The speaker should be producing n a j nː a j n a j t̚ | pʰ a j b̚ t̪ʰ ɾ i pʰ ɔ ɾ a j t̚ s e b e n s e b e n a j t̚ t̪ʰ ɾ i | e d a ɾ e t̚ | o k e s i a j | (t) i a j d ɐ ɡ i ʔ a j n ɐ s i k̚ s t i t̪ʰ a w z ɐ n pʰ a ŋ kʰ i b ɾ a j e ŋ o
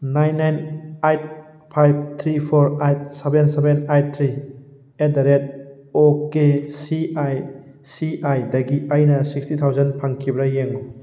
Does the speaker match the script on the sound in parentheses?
no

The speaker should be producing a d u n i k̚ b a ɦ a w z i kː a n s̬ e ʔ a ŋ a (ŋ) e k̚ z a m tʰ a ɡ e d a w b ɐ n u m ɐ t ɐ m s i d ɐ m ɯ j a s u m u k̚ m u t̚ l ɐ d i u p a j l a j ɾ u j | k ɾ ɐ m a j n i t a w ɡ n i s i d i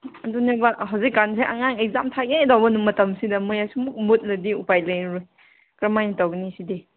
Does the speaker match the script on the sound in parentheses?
yes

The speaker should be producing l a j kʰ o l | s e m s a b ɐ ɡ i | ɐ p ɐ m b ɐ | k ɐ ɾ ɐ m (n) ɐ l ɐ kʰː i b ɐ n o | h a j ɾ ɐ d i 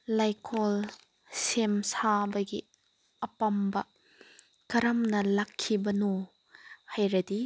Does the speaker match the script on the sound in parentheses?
yes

